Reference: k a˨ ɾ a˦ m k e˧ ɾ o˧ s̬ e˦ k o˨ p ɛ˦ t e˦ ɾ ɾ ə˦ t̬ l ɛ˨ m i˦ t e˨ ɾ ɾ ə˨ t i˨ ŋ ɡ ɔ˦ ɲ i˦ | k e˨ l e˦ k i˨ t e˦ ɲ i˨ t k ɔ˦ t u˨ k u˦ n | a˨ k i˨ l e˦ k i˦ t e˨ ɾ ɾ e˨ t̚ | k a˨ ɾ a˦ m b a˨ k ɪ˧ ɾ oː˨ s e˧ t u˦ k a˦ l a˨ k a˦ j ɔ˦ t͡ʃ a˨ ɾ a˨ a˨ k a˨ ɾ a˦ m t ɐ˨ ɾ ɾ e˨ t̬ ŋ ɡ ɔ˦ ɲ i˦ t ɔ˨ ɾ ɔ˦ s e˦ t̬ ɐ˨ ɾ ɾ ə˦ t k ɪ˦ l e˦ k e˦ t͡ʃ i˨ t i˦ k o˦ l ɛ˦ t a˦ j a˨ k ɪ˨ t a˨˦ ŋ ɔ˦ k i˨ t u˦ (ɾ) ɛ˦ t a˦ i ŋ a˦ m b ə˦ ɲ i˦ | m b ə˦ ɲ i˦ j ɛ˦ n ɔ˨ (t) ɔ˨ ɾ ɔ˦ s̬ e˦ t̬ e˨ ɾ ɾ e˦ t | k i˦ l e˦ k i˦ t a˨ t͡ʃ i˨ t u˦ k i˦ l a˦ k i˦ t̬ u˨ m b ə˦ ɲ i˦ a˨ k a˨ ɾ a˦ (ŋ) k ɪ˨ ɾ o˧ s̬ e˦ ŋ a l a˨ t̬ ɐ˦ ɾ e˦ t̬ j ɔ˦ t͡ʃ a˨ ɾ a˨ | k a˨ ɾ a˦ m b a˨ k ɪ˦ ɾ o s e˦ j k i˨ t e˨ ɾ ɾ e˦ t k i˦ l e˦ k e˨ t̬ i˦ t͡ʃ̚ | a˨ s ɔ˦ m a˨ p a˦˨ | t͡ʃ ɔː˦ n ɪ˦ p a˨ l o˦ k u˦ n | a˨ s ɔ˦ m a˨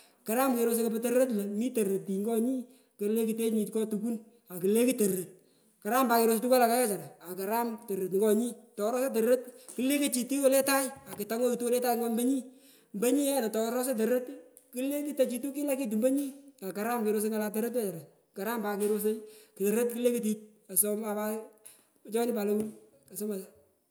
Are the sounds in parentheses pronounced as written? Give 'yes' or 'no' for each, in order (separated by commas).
no, yes, no